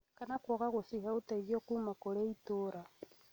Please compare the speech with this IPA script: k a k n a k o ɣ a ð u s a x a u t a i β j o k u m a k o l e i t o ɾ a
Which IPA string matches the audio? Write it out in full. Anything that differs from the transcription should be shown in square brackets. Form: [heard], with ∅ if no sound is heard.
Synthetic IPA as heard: k a [∅] n a k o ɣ a [ɣ] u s [i] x a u t a i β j o k u m a k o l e i t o ɾ a

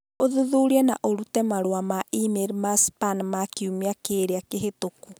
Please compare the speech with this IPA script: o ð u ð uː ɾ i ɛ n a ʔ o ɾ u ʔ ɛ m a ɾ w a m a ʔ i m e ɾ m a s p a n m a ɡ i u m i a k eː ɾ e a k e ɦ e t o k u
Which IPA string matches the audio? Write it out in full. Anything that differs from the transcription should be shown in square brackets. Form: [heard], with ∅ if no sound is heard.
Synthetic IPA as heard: o ð u ð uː ɾ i ɛ n a ʔ o ɾ u [t] ɛ m a ɾ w a m a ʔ i m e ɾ m a s p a n m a [k] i u m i a k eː ɾ e a k e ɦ e t o k u

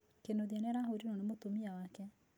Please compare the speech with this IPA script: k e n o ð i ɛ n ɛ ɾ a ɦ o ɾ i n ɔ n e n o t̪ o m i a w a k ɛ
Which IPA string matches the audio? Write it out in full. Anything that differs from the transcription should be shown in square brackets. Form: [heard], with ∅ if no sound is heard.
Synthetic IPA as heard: k e n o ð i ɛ n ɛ ɾ a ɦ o ɾ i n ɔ n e [m] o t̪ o m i a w a k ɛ

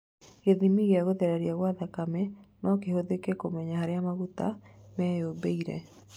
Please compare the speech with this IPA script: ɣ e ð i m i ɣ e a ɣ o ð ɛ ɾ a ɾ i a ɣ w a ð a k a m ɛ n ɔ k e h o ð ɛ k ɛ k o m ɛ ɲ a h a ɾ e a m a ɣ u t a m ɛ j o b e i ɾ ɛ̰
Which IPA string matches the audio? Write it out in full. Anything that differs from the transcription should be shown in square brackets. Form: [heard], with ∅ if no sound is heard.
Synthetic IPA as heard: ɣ e ð i m i ɣ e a ɣ o ð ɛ ɾ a ɾ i a ɣ w a ð a k a m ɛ n ɔ k e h o ð [e] k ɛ k o m ɛ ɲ a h a ɾ e a m a ɣ u t a m ɛ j o b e i ɾ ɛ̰

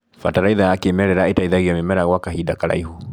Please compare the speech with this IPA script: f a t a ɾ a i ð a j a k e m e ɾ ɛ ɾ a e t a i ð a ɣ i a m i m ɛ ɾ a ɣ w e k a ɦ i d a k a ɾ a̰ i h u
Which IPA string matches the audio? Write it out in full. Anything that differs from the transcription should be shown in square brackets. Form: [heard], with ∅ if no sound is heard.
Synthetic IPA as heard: f a t a ɾ a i ð a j a k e m [ɛ] ɾ ɛ ɾ a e t a i ð a ɣ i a m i m ɛ ɾ a ɣ w [a] k a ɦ i d a k a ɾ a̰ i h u

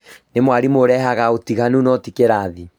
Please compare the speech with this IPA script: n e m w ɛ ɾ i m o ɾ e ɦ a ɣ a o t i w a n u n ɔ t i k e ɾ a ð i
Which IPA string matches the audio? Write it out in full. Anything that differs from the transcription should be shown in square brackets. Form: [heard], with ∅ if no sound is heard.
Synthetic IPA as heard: n e m w [a] ɾ i m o ɾ [ɛ] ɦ a ɣ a o t i [ɣ] a n u n ɔ t i k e ɾ a ð i

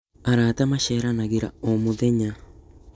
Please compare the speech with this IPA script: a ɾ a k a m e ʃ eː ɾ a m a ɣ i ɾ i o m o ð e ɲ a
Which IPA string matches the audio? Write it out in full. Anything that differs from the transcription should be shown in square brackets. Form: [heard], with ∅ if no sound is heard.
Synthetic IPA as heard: a ɾ a [t] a m [a] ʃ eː ɾ a [n] a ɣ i ɾ [a] o m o ð e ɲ a

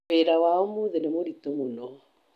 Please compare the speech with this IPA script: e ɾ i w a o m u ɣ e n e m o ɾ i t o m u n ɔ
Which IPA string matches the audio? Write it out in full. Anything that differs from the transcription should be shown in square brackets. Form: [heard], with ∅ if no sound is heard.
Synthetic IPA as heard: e ɾ [a] w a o m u [ð] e n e m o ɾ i t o m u n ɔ

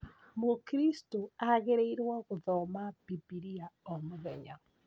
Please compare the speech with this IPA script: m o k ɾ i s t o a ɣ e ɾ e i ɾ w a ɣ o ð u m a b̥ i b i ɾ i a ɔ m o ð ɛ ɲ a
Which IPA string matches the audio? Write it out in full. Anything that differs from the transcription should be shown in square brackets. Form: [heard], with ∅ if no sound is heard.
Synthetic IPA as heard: m o k ɾ i s t o a ɣ e ɾ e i ɾ w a ɣ o ð [ɔ] m a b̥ i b i ɾ i a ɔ m o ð ɛ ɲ a

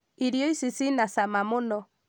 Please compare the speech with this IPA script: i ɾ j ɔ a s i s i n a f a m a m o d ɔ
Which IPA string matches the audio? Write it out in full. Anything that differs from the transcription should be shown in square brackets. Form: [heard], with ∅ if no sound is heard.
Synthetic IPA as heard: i ɾ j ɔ [i] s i s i n a [s] a m a m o [n] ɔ

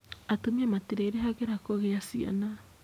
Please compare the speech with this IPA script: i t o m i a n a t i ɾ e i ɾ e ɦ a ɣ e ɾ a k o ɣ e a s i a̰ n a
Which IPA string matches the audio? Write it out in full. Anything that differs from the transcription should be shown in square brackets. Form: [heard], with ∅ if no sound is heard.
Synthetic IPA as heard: [a] t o m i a [m] a t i ɾ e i ɾ e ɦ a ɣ e ɾ a k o ɣ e a s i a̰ n a

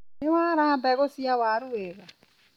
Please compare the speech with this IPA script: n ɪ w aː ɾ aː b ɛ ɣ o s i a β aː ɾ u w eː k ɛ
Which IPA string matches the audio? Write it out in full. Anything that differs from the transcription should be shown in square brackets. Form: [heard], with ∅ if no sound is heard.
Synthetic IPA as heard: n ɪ w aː ɾ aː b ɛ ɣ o s i a [w] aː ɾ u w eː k [a]

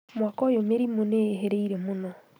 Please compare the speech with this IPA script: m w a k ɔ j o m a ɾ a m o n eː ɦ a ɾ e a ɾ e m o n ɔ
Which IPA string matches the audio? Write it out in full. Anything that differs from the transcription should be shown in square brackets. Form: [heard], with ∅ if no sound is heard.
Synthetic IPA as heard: m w a k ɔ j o m [e] ɾ [i] m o n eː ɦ [e] ɾ e [i] ɾ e m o n ɔ

